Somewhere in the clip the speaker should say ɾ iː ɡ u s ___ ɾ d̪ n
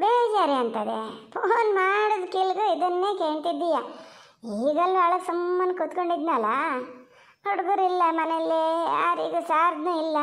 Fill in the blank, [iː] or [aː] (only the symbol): aː